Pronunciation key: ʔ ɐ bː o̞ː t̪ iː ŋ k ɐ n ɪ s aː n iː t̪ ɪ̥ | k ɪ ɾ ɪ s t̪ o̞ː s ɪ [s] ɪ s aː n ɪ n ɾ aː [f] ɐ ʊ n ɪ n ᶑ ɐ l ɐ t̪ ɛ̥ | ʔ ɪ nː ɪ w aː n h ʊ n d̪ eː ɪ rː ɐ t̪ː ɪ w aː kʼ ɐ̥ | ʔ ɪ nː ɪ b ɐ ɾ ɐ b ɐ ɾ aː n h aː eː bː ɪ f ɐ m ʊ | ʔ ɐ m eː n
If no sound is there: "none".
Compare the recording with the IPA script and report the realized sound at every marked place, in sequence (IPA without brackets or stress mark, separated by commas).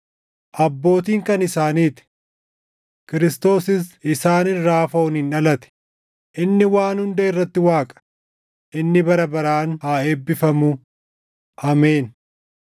s, f